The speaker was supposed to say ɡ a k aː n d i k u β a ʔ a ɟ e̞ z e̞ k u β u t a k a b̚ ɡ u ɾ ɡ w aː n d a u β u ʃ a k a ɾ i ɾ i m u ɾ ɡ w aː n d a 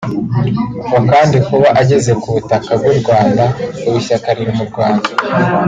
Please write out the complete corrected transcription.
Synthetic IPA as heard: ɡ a k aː n d i k u β a ʔ a ɟ e̞ z e̞ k u β u t a k a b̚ ɡ u ɾ ɡ w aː n d a u β u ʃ a k a ɾ i ɾ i m u ɾ ɡ w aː n d a